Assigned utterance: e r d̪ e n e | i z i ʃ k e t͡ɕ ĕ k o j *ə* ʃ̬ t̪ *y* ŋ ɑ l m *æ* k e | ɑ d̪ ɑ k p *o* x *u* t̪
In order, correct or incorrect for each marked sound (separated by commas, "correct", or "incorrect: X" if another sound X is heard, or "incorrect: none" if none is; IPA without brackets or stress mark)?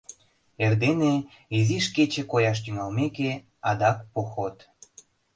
incorrect: ɑ, correct, incorrect: e, correct, incorrect: o